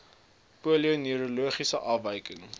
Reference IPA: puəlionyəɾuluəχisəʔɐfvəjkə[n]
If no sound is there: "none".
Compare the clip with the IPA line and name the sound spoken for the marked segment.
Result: ŋ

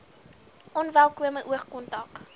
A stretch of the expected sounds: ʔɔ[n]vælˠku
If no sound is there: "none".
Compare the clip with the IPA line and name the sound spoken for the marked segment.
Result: n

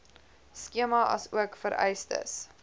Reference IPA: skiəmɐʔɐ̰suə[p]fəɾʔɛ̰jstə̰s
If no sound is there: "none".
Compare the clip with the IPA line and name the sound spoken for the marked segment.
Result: k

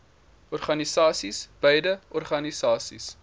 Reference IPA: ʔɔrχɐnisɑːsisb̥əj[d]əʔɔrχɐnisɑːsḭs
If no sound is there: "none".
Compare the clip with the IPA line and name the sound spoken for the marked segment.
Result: d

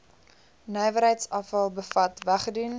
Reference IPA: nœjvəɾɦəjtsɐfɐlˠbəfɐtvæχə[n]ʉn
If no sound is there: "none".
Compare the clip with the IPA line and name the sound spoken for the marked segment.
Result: d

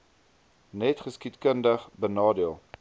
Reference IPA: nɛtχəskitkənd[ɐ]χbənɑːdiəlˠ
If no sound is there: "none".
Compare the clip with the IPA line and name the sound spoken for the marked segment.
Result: ə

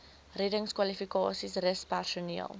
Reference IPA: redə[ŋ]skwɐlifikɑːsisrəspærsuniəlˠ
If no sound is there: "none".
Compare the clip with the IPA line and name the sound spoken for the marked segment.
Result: ŋ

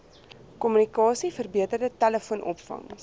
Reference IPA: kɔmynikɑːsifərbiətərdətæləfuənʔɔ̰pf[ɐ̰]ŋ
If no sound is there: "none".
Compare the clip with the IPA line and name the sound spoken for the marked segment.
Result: ɐ̰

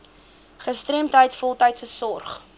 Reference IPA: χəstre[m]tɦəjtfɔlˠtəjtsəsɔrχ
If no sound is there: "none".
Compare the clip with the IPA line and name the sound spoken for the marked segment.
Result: m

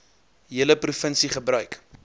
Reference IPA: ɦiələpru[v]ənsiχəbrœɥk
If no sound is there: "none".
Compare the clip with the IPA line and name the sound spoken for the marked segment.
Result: f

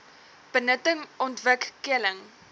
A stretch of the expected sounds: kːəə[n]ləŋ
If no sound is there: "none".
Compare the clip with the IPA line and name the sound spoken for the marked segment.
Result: none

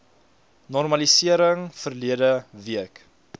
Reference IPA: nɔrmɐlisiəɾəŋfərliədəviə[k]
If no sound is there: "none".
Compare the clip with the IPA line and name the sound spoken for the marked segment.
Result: k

